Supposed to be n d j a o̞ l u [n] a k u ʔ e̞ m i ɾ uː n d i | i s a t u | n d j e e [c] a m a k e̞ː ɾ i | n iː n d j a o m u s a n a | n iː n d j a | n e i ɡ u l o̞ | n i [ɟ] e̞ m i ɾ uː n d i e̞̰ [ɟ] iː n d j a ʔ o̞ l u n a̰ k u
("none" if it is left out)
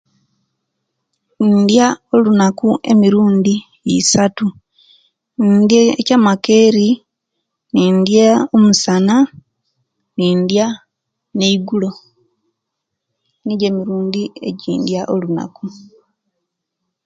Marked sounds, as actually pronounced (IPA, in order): n, c, ɟ, ɟ

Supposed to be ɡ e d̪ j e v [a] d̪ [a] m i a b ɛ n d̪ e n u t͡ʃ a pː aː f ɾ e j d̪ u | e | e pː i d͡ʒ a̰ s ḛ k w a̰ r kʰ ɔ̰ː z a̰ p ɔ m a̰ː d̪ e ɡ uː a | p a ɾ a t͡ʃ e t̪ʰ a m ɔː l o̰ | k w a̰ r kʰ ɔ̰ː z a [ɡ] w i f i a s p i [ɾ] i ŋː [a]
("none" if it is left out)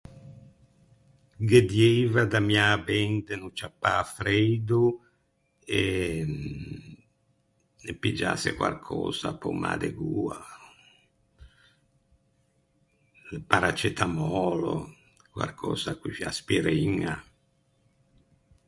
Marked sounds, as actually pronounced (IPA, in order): a, a, k, ɾ, a

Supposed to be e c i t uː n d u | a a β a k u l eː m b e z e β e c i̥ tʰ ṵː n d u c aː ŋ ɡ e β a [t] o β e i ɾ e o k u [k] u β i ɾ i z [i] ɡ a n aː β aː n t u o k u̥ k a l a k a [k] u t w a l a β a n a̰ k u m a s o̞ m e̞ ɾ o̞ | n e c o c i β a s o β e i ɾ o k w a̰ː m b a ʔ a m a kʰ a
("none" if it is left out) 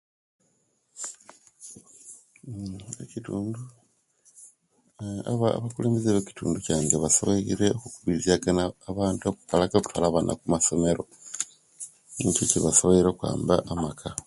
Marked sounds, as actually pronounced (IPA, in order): s, k, a, k

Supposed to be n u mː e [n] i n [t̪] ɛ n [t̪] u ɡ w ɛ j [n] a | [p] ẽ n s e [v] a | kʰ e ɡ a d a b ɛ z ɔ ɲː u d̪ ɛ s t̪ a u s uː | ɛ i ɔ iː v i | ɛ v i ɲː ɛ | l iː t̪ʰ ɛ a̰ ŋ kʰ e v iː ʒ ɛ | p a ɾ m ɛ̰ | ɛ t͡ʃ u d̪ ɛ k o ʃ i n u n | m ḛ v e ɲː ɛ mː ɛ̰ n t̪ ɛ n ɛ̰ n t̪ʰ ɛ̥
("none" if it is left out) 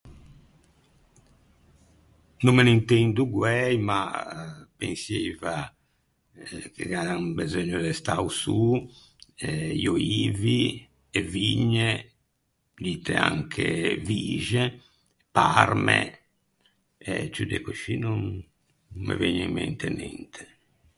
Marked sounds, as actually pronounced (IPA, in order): n, t̪, d̪, m, p, v

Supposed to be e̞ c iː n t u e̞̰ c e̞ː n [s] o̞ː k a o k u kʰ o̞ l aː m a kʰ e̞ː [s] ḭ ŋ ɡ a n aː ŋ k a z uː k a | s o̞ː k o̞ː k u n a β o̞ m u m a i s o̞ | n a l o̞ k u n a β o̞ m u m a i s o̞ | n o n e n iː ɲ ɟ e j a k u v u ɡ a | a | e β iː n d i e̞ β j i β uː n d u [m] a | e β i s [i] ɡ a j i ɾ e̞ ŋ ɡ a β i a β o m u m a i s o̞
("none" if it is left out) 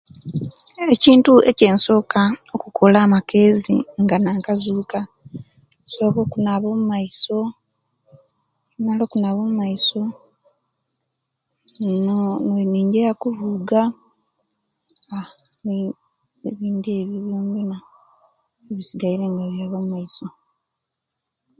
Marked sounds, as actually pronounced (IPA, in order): s, z, n, i

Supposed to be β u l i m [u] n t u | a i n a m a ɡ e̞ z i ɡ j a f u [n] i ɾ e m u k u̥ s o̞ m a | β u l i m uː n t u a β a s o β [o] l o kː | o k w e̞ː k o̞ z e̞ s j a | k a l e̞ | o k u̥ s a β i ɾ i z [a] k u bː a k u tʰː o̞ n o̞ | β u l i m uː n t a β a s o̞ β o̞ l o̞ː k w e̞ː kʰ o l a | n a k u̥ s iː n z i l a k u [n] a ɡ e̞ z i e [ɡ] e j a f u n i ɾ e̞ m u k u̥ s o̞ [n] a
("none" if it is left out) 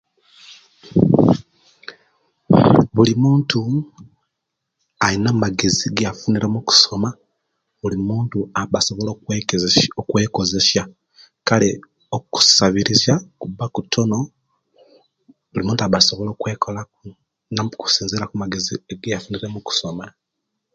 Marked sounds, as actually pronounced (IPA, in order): uː, n, o, a, m, ɡ, m

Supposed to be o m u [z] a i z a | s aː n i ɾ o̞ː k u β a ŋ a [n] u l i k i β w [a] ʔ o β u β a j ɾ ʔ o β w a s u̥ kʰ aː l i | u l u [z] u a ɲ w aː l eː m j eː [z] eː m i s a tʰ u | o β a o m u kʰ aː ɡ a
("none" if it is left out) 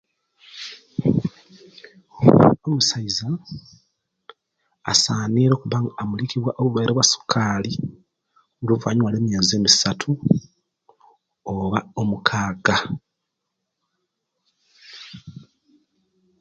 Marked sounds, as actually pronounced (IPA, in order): s, m, a, v, z

